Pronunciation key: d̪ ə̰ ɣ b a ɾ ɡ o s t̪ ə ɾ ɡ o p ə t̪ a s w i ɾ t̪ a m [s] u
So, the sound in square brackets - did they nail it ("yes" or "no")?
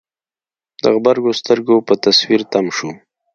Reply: no